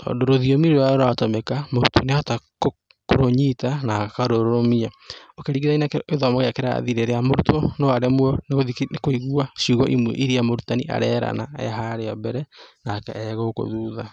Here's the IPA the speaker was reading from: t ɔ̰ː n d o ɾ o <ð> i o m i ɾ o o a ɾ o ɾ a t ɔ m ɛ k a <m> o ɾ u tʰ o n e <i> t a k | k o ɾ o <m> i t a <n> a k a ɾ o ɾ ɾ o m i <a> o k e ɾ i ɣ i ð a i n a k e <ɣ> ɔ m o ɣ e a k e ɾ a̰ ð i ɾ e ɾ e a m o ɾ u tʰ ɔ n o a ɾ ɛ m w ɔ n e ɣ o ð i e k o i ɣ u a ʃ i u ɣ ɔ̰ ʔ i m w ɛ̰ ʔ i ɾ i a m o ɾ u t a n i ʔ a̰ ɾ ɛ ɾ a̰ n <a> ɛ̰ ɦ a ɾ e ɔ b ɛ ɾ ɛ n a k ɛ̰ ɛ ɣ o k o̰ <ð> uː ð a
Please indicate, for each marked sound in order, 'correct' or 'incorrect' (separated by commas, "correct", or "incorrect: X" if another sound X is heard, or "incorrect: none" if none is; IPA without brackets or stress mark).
correct, correct, incorrect: a, incorrect: ɲ, correct, correct, incorrect: ð, correct, correct